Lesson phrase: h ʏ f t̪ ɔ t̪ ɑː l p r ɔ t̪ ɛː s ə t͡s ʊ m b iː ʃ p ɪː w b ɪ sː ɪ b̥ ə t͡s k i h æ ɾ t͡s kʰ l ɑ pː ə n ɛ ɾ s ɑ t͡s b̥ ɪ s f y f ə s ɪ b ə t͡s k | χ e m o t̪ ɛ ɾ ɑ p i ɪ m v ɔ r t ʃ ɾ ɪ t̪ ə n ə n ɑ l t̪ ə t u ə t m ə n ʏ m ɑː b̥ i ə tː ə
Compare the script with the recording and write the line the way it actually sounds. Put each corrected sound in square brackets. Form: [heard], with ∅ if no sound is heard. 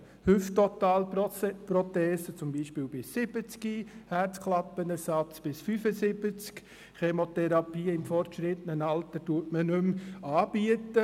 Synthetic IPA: h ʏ f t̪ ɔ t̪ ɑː l p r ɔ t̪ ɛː s ə t͡s ʊ m b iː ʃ p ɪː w b ɪ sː ɪ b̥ ə t͡s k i h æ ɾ t͡s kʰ l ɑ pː ə n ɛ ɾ s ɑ t͡s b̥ ɪ s f y f ə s ɪ b ə t͡s k | χ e m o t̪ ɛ ɾ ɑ p [iː] ɪ m [f] ɔ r t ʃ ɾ ɪ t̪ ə n ə n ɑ l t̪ ə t u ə t m ə n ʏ m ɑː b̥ i ə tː ə

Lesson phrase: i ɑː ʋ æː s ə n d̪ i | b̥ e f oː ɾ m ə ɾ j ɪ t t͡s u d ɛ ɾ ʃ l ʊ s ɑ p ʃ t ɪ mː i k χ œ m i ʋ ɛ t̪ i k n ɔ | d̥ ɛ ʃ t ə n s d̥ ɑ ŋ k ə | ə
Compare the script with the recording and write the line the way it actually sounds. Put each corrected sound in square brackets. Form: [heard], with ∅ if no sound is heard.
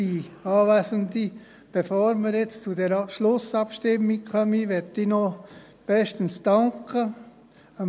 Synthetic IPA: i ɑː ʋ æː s ə n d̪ i | b̥ e f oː ɾ m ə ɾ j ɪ [t͡s] t͡s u d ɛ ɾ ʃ l ʊ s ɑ p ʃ t ɪ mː i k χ œ m i ʋ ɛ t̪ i [∅] n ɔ | [b̥] ɛ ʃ t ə n s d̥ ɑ ŋ k ə | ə

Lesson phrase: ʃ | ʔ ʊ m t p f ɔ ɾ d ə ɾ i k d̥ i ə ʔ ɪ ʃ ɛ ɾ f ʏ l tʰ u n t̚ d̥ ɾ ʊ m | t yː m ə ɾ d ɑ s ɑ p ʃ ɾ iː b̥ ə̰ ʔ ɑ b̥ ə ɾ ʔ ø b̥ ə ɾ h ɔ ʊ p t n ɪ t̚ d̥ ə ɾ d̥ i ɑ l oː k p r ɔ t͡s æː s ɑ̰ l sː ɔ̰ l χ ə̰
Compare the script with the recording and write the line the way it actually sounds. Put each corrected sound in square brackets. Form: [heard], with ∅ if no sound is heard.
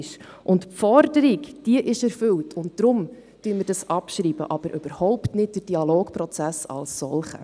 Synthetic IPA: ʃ | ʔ ʊ [n] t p f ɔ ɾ d ə ɾ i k d̥ i ə ʔ ɪ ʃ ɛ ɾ f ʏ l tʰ [ʊ] n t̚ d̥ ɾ ʊ m | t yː m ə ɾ d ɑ s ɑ p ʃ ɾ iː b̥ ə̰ ʔ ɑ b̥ ə ɾ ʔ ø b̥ ə ɾ h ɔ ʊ p t n ɪ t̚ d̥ ə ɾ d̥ i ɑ l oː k p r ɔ t͡s [æ] s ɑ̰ l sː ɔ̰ l χ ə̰

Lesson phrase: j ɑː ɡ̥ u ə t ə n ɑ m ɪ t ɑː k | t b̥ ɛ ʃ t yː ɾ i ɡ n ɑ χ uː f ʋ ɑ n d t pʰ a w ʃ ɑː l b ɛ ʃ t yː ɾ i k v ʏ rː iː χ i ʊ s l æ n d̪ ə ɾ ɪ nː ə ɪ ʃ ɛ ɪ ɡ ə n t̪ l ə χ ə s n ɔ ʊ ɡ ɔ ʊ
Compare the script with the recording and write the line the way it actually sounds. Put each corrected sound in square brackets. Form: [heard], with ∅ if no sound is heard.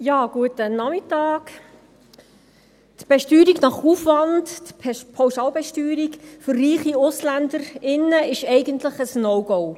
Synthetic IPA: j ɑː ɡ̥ u ə t ə n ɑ m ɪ t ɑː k | t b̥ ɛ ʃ t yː ɾ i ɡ n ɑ χ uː f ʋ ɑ n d t pʰ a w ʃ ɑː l b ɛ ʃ t yː ɾ i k [f] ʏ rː iː χ i ʊ s l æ n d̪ ə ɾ ɪ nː ə ɪ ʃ ɛ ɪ ɡ ə n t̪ l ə χ ə s n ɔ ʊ ɡ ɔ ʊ

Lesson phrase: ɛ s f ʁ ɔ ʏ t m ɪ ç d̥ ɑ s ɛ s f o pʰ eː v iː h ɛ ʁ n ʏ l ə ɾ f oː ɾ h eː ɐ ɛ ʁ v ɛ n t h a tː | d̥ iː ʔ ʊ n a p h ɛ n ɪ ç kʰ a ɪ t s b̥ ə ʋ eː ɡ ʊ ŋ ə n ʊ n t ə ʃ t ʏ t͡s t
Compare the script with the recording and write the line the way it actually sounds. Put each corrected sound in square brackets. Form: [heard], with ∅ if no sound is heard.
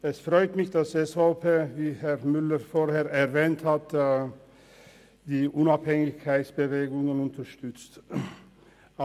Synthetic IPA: ɛ s f ʁ ɔ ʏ t m ɪ ç d̥ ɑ s ɛ s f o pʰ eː v iː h ɛ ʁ [m] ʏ l ə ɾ f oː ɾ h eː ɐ ɛ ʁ v [ɛː] n t h a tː | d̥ iː ʔ ʊ n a p h ɛ [ŋ] ɪ ç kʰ a ɪ t s b̥ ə [v] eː ɡ ʊ ŋ ə n ʊ n t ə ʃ t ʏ t͡s t

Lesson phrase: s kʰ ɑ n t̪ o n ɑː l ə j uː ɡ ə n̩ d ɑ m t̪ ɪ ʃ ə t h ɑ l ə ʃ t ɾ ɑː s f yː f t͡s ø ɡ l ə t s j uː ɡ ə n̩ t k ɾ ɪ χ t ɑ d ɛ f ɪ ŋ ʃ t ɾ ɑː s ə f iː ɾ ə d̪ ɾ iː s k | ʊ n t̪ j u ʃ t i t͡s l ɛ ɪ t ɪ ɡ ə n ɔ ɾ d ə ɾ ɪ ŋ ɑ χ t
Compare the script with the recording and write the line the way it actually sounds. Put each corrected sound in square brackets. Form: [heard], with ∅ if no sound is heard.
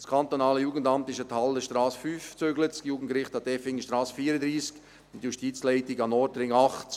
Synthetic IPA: s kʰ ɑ n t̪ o n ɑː l ə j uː ɡ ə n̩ d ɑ m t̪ ɪ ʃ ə t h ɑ l ə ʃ t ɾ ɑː s f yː f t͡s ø ɡ l ə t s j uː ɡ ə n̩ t k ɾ ɪ χ t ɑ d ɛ f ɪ ŋ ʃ t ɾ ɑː s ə f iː ɾ ə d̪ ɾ iː s k | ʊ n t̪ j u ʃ t i t͡s l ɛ ɪ t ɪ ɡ [ɑ] n ɔ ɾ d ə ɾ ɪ ŋ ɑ χ t

